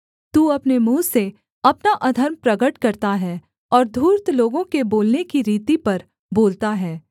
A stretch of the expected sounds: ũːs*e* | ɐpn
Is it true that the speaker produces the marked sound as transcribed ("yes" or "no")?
yes